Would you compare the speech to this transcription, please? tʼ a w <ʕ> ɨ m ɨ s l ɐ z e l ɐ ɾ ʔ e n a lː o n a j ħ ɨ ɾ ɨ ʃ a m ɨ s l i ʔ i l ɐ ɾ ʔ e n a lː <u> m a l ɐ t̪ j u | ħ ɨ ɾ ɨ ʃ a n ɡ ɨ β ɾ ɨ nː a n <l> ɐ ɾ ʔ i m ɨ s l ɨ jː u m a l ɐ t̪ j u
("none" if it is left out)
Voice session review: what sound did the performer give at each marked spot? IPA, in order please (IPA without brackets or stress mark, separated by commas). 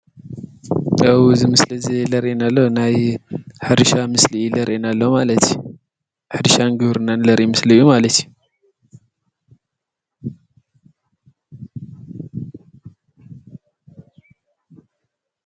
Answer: z, o, l